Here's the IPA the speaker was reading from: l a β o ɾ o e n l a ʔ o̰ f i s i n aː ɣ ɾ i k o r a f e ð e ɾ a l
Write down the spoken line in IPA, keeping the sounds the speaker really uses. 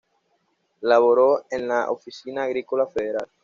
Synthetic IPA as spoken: l a β o ɾ o e n l a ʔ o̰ f i s i n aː ɣ ɾ i k o l a f e ð e ɾ a l